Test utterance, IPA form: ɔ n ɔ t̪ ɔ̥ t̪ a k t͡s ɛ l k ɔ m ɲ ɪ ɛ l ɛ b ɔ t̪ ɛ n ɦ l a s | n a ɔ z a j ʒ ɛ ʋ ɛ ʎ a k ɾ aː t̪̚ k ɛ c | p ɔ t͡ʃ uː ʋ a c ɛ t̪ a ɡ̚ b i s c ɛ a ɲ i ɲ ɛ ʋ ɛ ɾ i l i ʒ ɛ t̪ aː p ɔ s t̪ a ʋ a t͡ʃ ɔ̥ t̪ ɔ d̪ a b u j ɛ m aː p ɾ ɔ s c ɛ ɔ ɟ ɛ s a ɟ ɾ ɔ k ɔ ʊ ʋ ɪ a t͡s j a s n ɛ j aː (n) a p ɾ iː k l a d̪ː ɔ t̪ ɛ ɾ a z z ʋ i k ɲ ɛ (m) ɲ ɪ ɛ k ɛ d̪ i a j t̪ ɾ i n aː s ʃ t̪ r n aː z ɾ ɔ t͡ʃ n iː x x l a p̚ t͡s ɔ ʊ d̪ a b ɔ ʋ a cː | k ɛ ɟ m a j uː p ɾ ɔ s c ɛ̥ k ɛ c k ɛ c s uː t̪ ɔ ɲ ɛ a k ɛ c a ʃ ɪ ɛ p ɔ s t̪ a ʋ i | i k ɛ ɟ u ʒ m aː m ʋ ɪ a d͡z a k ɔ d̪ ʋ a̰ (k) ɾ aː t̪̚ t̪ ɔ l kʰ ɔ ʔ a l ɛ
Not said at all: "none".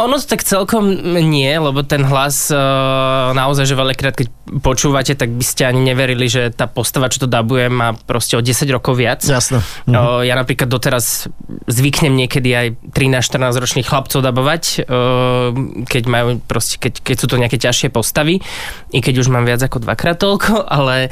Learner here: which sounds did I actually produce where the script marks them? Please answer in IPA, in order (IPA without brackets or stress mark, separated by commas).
n, m, k